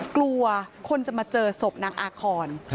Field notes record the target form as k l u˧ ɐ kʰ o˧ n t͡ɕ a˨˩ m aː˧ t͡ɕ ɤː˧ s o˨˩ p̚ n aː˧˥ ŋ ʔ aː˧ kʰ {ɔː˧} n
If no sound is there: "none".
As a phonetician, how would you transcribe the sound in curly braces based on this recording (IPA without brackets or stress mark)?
ɔː˧